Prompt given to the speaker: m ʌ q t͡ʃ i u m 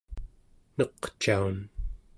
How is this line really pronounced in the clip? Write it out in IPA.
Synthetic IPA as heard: n ʌ q t͡ʃ a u n